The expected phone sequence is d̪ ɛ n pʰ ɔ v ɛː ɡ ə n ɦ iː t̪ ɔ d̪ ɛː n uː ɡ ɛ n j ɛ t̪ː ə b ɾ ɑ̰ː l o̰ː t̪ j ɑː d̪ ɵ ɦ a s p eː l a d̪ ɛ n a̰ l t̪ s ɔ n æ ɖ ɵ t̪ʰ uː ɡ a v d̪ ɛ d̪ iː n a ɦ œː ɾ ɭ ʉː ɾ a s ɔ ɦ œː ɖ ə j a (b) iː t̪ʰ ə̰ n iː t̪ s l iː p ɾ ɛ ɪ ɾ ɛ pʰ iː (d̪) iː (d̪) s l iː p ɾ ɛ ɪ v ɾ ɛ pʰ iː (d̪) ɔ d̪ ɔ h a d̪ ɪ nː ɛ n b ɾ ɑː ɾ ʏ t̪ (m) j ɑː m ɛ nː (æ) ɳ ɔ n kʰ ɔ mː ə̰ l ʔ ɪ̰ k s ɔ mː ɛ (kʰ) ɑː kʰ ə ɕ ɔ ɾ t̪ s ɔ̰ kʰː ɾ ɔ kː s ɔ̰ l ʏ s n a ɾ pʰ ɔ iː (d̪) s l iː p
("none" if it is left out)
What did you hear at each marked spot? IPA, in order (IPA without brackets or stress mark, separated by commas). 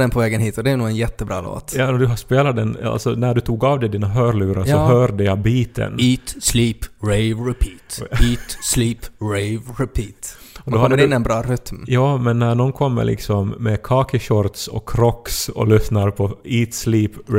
b, t̪, t̪, t̪, m, æ, kʰ, t̪